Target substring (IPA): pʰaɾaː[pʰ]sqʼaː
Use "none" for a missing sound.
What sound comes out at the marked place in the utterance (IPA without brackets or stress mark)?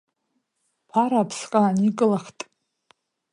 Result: pʰ